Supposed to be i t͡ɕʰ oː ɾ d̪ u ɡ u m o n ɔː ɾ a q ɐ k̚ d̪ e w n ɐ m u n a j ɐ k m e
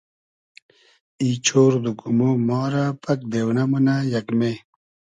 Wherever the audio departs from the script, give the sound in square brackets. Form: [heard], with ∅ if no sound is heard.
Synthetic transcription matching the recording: i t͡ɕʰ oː ɾ d̪ u [k] u m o [m] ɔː ɾ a [p] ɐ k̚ d̪ e w n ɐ m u n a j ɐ k m e